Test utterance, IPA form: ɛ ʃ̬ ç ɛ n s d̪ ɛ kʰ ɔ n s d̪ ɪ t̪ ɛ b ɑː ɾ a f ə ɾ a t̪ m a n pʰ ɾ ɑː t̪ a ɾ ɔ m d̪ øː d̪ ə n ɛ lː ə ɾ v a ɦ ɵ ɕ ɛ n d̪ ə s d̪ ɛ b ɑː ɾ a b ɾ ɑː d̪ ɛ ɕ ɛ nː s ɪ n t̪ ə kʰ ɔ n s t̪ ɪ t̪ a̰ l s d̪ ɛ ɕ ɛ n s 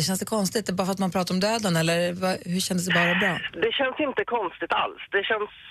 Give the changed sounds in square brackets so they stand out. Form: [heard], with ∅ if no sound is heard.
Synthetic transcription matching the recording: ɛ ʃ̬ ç ɛ n s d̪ ɛ kʰ ɔ n s [t̪] ɪ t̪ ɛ b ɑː ɾ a f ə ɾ a t̪ m a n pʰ ɾ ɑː t̪ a ɾ ɔ m d̪ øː d̪ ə n ɛ lː ə ɾ v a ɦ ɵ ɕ ɛ n d̪ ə s d̪ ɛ b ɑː ɾ a b ɾ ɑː d̪ ɛ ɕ ɛ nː s ɪ n t̪ ə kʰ ɔ n s t̪ ɪ t̪ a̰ l s d̪ ɛ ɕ ɛ n s